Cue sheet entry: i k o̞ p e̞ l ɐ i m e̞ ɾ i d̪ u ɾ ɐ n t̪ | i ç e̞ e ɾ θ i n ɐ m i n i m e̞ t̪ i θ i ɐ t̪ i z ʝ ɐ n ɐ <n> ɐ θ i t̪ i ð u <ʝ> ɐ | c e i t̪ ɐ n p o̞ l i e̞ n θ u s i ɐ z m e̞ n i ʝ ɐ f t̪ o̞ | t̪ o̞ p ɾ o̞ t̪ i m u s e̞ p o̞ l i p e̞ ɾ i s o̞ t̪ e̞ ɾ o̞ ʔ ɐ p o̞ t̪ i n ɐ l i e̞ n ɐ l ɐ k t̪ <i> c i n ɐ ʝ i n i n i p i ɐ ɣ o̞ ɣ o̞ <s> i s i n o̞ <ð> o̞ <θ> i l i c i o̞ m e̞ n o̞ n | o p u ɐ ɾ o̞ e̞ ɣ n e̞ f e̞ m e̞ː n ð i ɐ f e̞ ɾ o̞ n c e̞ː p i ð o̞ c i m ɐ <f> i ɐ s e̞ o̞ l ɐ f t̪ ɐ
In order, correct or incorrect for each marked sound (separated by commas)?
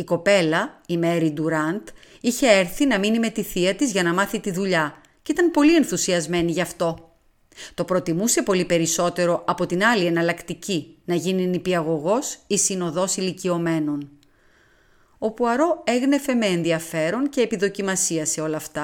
incorrect, incorrect, correct, correct, correct, incorrect, incorrect